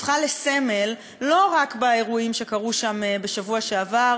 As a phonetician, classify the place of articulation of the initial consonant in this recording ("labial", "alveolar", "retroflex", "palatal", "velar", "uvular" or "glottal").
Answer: uvular